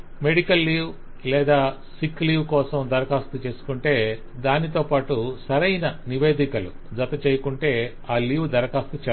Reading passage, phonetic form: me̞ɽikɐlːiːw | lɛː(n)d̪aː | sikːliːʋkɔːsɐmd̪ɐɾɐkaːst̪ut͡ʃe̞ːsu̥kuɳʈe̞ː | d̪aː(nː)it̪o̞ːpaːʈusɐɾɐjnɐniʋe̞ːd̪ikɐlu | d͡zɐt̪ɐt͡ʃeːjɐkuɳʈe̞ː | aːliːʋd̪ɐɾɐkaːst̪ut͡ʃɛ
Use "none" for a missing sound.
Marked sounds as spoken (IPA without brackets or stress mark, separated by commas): none, n